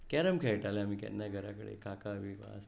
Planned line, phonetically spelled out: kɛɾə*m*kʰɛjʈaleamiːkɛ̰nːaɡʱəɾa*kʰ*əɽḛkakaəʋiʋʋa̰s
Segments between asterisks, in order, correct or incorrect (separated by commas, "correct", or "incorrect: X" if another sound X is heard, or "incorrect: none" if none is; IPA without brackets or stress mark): correct, incorrect: k